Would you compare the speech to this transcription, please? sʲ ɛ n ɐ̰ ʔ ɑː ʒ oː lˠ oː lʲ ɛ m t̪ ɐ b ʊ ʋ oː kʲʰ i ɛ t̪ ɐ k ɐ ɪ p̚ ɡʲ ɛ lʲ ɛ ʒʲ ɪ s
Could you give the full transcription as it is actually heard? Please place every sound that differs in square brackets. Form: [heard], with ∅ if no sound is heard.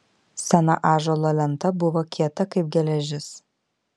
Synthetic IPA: sʲ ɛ n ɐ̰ ʔ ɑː ʒ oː lˠ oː lʲ ɛ [n] t̪ ɐ b ʊ ʋ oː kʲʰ i ɛ t̪ ɐ k ɐ ɪ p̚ ɡʲ ɛ lʲ ɛ ʒʲ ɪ s